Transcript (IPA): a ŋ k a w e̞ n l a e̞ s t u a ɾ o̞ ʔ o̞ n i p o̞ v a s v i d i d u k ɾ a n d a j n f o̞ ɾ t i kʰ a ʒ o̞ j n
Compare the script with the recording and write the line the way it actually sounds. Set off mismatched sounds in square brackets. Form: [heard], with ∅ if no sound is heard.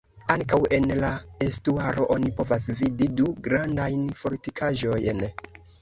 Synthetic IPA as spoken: a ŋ k a w e̞ n l a e̞ s t u a ɾ o̞ ʔ o̞ n i p o̞ v a s v i d i d u [ɡ] ɾ a n d a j n f o̞ ɾ t i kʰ a ʒ o̞ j n

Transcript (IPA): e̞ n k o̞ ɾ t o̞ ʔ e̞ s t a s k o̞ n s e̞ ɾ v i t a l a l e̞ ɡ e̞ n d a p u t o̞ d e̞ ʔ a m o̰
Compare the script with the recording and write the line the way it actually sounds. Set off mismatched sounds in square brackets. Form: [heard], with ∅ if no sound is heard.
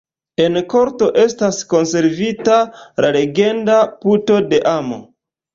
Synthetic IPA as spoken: e̞ n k o̞ ɾ t o̞ ʔ e̞ s t a s k o̞ n s e̞ ɾ v i t a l a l e̞ ɡ e̞ n d a p u t o̞ d e̞ ʔ a m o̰

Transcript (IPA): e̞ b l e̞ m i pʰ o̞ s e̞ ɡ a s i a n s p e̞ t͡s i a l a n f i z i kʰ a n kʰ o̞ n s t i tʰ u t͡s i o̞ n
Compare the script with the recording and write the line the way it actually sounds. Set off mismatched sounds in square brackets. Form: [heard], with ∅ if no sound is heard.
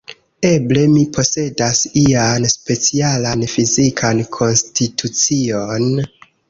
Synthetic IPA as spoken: e̞ b l e̞ m i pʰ o̞ s e̞ [d] a s i a n s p e̞ t͡s i a l a n f i z i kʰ a n kʰ o̞ n s t i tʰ u t͡s i o̞ n

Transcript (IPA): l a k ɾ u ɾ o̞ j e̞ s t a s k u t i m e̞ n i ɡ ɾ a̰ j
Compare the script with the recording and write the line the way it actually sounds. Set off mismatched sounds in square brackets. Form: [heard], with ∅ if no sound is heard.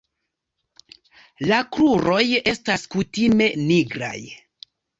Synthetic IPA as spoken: l a k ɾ u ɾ o̞ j e̞ s t a s k u t i m e̞ n i ɡ ɾ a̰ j

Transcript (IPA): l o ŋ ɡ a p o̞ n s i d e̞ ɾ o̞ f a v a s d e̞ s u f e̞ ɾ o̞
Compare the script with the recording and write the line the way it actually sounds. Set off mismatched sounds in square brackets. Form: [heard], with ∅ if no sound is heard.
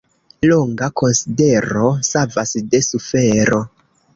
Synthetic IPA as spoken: l o ŋ ɡ a [k] o̞ n s i d e̞ ɾ o̞ [s] a v a s d e̞ s u f e̞ ɾ o̞

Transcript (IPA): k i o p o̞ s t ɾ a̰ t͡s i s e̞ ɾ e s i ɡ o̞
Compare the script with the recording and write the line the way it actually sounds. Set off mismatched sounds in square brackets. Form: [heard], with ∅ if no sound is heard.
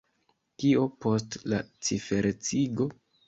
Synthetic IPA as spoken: k i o p o̞ s t [l] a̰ t͡s i [f] e̞ ɾ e [t͡s] i ɡ o̞

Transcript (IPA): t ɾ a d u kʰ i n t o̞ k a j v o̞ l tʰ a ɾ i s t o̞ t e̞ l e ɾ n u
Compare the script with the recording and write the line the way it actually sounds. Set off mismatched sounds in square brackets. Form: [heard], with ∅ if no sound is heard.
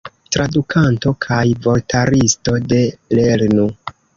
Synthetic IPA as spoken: t ɾ a d u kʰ [a] n t o̞ [kʰ] a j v o̞ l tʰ a ɾ i s t o̞ [d] e̞ l e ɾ n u

